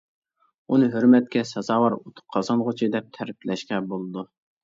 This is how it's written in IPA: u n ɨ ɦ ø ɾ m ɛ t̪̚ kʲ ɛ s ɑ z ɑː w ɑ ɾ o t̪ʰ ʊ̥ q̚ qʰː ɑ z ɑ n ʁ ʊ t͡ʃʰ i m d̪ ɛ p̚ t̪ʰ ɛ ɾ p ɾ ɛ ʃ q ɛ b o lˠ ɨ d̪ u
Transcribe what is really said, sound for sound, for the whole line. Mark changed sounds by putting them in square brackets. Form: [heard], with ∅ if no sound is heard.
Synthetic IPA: u n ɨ ɦ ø ɾ m ɛ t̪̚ kʲ ɛ s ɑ z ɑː w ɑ ɾ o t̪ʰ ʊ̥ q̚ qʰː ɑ z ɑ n ʁ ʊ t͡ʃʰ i [∅] d̪ ɛ p̚ t̪ʰ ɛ ɾ p [l] ɛ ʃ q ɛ b o lˠ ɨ d̪ u